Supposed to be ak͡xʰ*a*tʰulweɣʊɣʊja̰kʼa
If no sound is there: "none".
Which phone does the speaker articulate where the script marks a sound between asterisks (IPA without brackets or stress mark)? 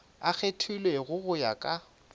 e